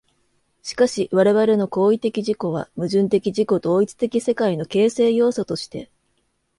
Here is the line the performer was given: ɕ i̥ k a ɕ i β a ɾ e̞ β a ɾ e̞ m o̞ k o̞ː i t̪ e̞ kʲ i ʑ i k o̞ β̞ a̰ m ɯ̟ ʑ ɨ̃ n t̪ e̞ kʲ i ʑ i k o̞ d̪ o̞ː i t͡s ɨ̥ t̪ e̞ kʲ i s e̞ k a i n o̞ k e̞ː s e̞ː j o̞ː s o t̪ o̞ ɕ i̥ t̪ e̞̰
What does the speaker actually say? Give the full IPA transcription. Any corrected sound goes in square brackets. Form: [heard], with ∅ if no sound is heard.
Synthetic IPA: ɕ i̥ k a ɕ i β a ɾ e̞ β a ɾ e̞ [n] o̞ k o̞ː i t̪ e̞ kʲ i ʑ i k o̞ β̞ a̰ m ɯ̟ ʑ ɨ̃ n t̪ e̞ kʲ i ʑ i k o̞ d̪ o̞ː i t͡s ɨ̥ t̪ e̞ kʲ i s e̞ k a i n o̞ k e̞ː s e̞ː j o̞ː s o t̪ o̞ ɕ i̥ t̪ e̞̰